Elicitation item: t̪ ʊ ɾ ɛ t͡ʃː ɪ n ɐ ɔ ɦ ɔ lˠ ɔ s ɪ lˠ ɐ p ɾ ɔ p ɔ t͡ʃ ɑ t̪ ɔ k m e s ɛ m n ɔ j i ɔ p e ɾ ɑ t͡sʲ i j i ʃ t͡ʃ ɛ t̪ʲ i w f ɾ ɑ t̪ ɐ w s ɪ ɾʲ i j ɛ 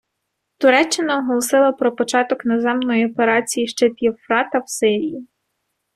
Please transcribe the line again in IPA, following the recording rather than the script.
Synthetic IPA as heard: t̪ ʊ ɾ ɛ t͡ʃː ɪ n ɐ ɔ ɦ ɔ lˠ ɔ s ɪ lˠ ɐ p ɾ ɔ p ɔ t͡ʃ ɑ t̪ ɔ k n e z ɛ m n ɔ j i ɔ p e ɾ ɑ t͡sʲ i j i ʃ t͡ʃ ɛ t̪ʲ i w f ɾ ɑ t̪ ɐ w s ɪ ɾʲ i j i